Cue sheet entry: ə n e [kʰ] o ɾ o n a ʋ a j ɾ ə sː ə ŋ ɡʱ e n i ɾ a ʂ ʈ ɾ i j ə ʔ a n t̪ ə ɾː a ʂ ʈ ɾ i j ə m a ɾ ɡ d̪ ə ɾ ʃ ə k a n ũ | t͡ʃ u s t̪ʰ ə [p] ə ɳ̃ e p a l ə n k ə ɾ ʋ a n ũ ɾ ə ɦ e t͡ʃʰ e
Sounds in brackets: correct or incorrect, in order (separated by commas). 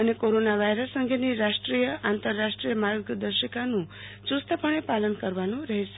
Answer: incorrect, correct